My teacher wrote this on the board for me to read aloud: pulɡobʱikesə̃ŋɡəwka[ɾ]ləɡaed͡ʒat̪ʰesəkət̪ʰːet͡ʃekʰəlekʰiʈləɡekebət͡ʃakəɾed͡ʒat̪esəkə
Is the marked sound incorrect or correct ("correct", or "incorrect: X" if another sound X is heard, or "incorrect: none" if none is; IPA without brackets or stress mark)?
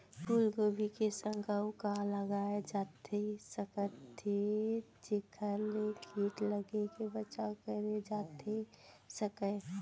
incorrect: none